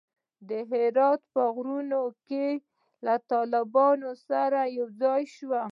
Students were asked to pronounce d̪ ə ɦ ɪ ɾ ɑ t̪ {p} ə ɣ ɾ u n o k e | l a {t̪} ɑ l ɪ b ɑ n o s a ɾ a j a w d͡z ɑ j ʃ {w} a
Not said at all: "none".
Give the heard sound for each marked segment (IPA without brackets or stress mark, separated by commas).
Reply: p, t̪, w